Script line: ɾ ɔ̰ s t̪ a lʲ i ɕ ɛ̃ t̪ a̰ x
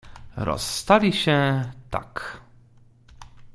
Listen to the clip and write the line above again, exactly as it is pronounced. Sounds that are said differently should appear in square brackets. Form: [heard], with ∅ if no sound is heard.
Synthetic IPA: ɾ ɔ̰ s t̪ a lʲ i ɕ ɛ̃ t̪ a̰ [k]